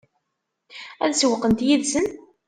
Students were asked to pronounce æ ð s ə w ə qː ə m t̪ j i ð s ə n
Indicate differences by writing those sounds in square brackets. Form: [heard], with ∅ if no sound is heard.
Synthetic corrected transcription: æ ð s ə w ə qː ə [n] t̪ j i ð s ə n